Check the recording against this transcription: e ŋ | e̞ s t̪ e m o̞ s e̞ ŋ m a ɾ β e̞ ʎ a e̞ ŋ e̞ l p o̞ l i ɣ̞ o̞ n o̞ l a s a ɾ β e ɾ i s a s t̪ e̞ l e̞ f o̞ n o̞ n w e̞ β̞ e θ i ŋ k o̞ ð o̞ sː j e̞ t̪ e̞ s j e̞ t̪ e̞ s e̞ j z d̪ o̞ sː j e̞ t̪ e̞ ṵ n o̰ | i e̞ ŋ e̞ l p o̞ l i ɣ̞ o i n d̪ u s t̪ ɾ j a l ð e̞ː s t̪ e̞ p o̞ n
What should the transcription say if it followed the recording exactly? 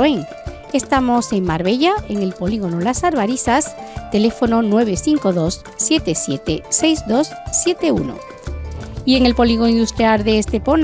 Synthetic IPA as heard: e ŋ | e̞ s t̪ a m o̞ s e̞ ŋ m a ɾ β e̞ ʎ a e̞ ŋ e̞ l p o̞ l i ɣ̞ o̞ n o̞ l a s a ɾ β a ɾ i s a s t̪ e̞ l e̞ f o̞ n o̞ n w e̞ β̞ e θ i ŋ k o̞ ð o̞ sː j e̞ t̪ e̞ s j e̞ t̪ e̞ s e̞ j z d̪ o̞ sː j e̞ t̪ e̞ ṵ n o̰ | i e̞ ŋ e̞ l p o̞ l i ɣ̞ o i n d̪ u s t̪ ɾ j a l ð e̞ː s t̪ e̞ p o̞ n